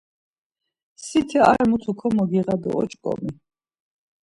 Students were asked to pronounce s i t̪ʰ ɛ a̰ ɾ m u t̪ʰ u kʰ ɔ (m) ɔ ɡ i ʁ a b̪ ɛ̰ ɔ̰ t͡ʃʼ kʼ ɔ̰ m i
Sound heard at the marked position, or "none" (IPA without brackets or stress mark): m